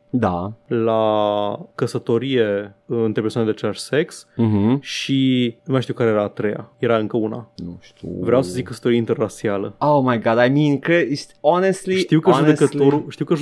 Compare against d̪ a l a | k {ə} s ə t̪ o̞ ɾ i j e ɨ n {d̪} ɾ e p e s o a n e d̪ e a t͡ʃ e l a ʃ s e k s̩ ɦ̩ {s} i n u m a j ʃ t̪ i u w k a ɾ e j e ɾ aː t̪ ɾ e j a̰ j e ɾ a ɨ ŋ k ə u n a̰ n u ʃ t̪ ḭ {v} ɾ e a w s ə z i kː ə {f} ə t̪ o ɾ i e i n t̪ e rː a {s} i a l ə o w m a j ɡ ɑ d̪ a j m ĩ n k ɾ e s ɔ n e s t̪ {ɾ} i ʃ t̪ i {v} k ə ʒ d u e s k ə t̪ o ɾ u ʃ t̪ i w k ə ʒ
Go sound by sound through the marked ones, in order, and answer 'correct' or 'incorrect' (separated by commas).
correct, incorrect, incorrect, correct, incorrect, correct, incorrect, incorrect